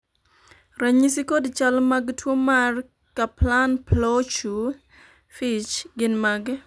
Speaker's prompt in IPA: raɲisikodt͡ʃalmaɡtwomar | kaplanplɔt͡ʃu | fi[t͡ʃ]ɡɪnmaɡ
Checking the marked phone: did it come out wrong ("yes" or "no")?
no